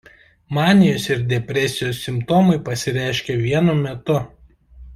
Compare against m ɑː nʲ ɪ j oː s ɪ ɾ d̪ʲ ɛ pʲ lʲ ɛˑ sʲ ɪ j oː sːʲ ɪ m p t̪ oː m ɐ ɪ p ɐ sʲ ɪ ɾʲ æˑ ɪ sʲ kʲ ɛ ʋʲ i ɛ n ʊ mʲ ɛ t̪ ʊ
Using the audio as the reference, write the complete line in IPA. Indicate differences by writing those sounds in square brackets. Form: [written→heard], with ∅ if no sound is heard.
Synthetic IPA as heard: m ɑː nʲ ɪ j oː s ɪ ɾ d̪ʲ ɛ pʲ [lʲ→ɾʲ] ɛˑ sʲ ɪ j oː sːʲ ɪ m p t̪ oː m ɐ ɪ p ɐ sʲ ɪ ɾʲ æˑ ɪ [sʲ→ʃʲ] kʲ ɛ ʋʲ i ɛ n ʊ mʲ ɛ t̪ ʊ

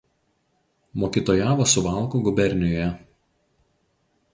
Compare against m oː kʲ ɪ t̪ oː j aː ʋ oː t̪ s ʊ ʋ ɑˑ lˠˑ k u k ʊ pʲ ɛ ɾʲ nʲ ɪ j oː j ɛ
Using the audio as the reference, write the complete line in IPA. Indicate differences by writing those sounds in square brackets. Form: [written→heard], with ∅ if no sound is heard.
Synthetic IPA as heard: m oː kʲ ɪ t̪ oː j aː ʋ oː [t̪→∅] s ʊ ʋ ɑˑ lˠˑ k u [k→ɡ] ʊ [pʲ→bʲ] ɛ ɾʲ nʲ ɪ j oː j ɛ

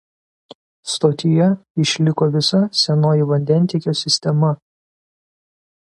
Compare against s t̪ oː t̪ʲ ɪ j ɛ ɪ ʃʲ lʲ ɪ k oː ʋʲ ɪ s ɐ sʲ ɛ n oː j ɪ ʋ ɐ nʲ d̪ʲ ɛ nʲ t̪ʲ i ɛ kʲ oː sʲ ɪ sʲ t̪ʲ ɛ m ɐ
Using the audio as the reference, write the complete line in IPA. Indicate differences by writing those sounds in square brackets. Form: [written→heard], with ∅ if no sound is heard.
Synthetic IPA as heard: s t̪ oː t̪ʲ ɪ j ɛ ɪ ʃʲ lʲ ɪ k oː ʋʲ ɪ s ɐ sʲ ɛ n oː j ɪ ʋ ɐ nʲ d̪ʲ ɛ nʲ t̪ʲ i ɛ kʲ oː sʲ ɪ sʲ t̪ʲ ɛ m ɐ

